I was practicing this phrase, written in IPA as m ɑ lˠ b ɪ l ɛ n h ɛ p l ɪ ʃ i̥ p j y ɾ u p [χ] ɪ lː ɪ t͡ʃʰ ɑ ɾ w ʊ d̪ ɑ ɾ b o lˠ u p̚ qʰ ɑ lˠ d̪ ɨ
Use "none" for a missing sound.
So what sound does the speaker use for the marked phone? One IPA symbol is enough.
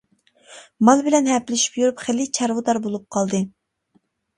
χ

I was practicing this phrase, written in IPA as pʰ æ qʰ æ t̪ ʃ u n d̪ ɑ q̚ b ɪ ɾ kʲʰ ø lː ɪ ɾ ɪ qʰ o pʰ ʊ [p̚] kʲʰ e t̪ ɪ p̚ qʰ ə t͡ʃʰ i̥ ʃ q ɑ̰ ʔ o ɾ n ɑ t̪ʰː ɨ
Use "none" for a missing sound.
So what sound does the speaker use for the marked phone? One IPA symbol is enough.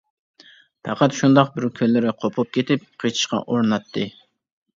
p̚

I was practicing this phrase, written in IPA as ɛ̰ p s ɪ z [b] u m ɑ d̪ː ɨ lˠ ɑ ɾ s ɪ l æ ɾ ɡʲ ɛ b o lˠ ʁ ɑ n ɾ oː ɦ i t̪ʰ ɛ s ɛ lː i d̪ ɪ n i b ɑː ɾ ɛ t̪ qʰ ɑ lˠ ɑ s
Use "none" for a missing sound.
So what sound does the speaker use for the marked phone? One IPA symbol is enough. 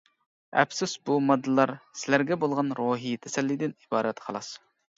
b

